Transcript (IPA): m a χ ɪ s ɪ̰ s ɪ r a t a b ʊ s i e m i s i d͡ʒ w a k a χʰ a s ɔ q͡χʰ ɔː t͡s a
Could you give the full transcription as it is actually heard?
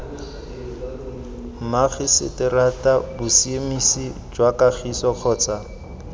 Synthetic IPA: m a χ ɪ s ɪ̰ t ɪ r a t a b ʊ s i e m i s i d͡ʒ w a k a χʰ i s ɔ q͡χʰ ɔː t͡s a